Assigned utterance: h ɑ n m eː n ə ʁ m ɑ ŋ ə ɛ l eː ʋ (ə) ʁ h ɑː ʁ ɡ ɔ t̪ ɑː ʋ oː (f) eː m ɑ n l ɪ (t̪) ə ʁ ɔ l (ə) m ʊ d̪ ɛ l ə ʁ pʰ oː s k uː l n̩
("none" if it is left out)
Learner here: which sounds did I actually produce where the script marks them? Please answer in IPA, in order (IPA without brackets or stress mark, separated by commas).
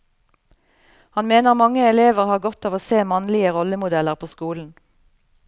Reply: ə, s, none, ə